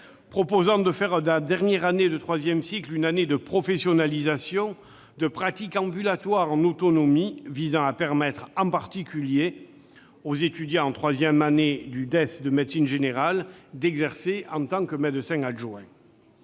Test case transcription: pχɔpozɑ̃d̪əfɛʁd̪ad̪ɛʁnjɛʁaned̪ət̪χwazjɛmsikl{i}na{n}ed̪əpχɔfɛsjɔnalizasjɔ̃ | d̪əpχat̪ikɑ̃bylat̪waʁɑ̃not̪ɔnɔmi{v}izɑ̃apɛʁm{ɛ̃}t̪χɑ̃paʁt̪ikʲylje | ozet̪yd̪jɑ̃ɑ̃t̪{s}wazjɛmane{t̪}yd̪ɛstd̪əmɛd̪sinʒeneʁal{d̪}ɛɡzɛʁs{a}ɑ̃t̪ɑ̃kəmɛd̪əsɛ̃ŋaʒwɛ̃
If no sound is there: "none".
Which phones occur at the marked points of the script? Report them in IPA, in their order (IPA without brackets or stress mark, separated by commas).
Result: y, n, v, ɛ, χ, d̪, d̪, e